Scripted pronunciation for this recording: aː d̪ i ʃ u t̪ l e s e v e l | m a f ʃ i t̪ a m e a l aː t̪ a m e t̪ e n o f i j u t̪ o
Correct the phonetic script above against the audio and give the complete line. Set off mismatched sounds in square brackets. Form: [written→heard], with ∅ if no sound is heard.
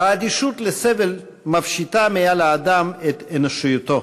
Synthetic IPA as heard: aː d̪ i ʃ u t̪ l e s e v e l | m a f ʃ i t̪ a m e a l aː [t̪→d̪] a m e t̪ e n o [f→ʃ] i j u t̪ o